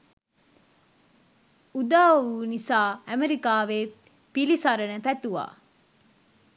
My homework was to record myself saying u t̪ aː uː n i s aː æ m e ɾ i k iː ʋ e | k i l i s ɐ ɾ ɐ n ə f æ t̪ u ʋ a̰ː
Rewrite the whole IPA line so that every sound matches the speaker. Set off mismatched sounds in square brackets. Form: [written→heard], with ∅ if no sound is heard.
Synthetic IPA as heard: u [t̪→d̪] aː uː n i s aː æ m e ɾ i k [iː→aː] ʋ e | [k→p] i l i s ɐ ɾ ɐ n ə f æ t̪ u ʋ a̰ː